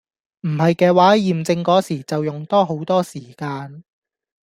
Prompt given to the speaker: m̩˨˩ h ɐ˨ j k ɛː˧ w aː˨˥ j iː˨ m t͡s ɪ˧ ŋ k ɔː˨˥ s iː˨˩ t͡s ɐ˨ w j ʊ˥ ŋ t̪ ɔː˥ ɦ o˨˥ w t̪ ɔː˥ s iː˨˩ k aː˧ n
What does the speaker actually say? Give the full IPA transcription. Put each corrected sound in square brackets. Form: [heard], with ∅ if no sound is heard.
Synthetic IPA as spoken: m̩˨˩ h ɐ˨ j k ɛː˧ w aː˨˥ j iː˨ m t͡s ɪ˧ ŋ k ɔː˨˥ s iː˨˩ t͡s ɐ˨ w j [ʊ˨˩] ŋ t̪ ɔː˥ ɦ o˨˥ w t̪ ɔː˥ s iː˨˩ k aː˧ n